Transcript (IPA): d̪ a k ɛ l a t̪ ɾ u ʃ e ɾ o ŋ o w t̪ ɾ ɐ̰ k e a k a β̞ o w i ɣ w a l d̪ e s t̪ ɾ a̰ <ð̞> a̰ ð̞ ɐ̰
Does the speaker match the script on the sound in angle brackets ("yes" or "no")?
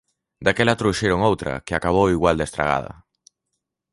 no